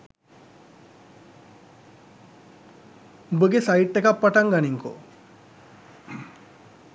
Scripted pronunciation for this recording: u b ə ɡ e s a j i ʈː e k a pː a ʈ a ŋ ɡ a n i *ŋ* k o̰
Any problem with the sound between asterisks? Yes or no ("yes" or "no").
no